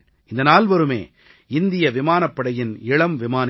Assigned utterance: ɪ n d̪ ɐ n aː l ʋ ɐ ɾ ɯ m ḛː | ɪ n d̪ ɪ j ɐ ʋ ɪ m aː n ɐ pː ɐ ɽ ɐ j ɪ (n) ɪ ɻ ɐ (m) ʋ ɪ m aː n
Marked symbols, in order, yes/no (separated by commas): yes, yes